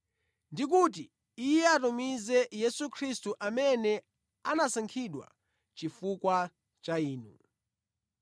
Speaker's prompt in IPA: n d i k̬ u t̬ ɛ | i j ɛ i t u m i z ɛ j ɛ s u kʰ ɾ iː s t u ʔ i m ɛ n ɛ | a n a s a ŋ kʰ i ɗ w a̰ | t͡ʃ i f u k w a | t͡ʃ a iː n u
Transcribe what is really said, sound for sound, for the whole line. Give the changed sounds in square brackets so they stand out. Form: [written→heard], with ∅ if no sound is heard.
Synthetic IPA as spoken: n d i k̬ u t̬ [ɛ→i] | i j ɛ [i→a] t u m i z ɛ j ɛ s u kʰ ɾ [iː→i] s t u ʔ [i→a] m ɛ n ɛ | a n a s a ŋ kʰ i ɗ w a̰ | t͡ʃ i f u k w a | t͡ʃ a iː n u